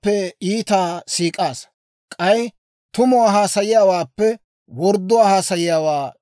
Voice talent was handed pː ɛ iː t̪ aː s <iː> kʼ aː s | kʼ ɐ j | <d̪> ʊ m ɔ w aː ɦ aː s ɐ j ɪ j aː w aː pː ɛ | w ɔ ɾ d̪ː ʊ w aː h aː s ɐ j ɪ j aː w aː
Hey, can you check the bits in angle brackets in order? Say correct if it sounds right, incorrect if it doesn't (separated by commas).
correct, incorrect